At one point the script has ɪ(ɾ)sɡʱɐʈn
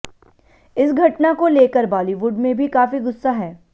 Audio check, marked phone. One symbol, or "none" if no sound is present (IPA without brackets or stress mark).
none